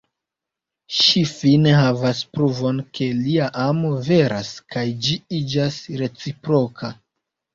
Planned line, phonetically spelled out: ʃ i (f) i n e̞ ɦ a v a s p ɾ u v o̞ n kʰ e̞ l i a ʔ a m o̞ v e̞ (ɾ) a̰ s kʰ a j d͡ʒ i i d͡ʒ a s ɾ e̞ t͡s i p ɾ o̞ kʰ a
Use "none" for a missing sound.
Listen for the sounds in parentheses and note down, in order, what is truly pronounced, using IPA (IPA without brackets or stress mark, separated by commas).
f, ɾ